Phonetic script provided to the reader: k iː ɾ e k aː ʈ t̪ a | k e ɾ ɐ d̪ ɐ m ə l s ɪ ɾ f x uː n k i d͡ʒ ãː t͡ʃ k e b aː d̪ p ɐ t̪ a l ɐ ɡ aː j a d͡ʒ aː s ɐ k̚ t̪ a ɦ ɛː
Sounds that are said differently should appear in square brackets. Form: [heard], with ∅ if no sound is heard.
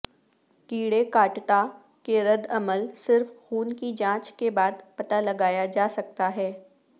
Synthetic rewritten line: k iː [ɽ] e k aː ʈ t̪ a | k e ɾ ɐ d̪ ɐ m ə l s ɪ ɾ f x uː n k i d͡ʒ ãː t͡ʃ k e b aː d̪ p ɐ t̪ a l ɐ ɡ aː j a d͡ʒ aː s ɐ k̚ t̪ a ɦ ɛː